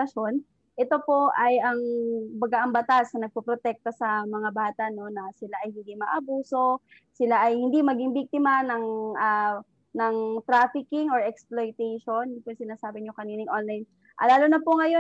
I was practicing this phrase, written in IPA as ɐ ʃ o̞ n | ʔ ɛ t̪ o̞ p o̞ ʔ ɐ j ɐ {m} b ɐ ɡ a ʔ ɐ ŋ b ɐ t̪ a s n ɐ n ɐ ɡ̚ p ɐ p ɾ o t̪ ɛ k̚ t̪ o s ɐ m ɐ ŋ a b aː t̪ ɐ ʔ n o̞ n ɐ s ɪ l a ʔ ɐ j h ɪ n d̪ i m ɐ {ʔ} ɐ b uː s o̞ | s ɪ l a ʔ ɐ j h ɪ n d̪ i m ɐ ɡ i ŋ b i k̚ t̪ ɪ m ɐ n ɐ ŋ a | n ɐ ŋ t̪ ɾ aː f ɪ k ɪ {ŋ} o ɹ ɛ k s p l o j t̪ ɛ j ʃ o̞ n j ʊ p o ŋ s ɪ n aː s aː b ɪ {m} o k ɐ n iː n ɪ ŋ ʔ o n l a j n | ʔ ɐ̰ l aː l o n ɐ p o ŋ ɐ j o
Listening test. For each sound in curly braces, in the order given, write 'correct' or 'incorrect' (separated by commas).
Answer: incorrect, correct, correct, incorrect